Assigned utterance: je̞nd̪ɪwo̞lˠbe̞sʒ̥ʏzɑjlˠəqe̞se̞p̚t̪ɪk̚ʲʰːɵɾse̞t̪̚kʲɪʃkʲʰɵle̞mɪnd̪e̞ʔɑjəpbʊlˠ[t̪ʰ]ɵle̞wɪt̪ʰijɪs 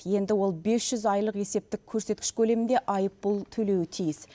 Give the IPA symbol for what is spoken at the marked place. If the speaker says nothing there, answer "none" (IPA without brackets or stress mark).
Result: t̪ʰ